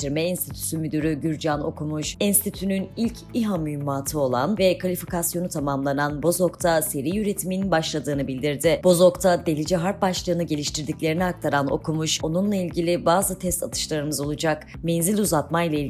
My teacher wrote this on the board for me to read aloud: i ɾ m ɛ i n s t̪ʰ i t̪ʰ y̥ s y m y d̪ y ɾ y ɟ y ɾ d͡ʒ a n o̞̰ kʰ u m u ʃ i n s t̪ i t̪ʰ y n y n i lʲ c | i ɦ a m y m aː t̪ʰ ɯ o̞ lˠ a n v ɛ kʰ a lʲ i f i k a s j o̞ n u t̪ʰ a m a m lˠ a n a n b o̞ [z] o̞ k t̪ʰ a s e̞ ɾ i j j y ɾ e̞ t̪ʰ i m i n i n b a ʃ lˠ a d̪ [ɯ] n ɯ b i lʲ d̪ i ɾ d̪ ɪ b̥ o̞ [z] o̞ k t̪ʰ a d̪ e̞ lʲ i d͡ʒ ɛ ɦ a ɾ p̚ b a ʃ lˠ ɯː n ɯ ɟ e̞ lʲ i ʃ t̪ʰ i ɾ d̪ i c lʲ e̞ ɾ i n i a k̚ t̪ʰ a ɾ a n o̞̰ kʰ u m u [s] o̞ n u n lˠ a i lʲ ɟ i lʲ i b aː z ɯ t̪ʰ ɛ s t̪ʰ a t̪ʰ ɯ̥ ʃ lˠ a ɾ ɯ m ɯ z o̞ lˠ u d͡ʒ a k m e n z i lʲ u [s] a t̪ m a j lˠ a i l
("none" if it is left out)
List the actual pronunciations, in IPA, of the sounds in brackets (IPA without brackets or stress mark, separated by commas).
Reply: z, ɯː, z, ʃ, z